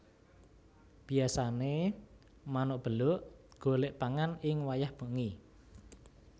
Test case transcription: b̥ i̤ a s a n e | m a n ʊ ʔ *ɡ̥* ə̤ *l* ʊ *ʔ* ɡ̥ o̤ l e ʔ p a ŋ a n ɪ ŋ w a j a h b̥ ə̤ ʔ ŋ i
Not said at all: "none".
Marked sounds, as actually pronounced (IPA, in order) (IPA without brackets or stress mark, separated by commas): b̥, l, ʔ